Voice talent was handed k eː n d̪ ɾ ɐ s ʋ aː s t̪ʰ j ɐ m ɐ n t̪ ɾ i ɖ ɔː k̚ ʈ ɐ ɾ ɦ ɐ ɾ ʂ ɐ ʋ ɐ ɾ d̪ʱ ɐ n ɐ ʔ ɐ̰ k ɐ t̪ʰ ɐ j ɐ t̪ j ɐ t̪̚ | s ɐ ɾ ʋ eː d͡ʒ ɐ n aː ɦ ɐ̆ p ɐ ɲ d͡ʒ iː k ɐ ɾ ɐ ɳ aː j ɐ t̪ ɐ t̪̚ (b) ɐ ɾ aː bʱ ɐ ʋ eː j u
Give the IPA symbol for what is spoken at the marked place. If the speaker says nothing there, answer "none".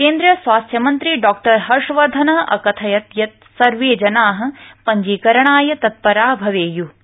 p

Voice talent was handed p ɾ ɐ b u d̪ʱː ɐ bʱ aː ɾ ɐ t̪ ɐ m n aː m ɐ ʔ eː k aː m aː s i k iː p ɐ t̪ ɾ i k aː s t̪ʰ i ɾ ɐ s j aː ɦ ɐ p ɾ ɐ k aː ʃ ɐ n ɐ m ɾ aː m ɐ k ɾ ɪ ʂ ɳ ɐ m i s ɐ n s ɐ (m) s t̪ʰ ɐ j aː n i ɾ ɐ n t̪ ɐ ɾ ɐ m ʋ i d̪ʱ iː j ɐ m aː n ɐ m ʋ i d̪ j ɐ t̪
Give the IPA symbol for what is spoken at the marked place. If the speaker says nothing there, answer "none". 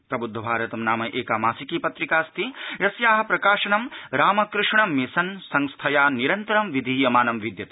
ŋ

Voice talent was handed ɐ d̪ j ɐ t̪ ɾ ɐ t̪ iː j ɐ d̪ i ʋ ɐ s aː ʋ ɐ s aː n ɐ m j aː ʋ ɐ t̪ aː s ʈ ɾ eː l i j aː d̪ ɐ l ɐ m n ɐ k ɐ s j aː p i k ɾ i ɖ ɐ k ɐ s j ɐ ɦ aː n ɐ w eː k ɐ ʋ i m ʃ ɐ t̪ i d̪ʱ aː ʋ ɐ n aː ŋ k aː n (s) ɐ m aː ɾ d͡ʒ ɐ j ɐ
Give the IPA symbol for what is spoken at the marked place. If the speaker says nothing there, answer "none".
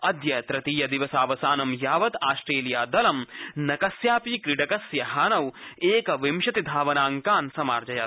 s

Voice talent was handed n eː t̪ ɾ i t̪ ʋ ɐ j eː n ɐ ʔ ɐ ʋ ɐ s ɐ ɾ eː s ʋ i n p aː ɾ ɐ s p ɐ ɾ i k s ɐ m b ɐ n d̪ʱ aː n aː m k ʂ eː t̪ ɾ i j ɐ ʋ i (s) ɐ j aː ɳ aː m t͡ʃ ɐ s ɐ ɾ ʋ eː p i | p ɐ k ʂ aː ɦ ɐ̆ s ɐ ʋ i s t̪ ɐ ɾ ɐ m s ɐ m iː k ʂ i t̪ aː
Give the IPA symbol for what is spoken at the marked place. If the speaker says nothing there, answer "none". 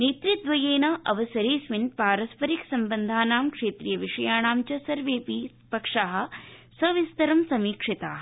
ʂ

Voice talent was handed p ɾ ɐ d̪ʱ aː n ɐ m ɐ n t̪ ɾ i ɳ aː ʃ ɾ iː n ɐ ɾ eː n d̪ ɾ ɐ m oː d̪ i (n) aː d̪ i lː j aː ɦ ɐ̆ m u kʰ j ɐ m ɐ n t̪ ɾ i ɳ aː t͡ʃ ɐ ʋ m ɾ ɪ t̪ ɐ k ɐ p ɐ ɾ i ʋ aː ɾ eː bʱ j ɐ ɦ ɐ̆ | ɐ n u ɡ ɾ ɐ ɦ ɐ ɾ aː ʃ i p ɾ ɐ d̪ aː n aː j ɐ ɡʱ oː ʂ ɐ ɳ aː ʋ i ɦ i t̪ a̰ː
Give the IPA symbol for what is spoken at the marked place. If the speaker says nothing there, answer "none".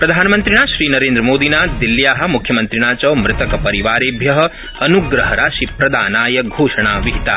n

